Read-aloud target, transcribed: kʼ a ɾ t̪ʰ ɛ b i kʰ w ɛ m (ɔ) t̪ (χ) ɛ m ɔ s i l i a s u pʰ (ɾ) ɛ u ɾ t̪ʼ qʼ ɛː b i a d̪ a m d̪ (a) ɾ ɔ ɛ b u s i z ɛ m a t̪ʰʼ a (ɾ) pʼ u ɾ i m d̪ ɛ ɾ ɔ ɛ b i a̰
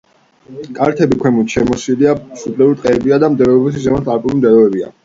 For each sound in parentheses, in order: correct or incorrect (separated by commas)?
incorrect, incorrect, incorrect, incorrect, correct